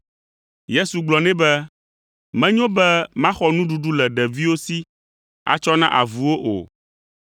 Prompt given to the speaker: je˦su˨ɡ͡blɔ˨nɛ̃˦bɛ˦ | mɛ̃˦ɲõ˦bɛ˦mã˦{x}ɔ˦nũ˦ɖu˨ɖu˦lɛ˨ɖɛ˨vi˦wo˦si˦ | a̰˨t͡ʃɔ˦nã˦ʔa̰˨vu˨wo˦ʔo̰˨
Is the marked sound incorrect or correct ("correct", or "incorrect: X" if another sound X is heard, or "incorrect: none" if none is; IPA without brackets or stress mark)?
correct